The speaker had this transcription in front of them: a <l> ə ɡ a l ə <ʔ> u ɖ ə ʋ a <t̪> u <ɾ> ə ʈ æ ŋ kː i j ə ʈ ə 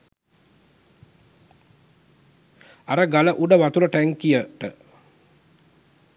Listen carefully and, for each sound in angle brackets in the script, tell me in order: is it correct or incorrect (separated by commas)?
incorrect, correct, correct, incorrect